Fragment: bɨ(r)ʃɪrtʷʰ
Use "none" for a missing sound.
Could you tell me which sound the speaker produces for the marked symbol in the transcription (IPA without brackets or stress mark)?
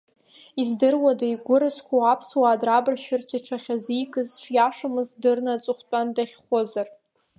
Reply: r